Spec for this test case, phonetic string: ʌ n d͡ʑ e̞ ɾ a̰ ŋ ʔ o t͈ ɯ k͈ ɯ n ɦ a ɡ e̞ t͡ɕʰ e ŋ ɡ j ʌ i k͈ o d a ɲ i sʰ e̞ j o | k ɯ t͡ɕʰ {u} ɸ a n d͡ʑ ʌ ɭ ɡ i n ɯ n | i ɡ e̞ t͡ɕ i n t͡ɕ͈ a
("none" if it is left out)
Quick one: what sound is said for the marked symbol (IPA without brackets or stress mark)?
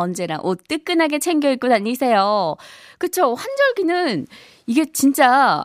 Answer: o